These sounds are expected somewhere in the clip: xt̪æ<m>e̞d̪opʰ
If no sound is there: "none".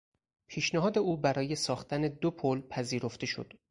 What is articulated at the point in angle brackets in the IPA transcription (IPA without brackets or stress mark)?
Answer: n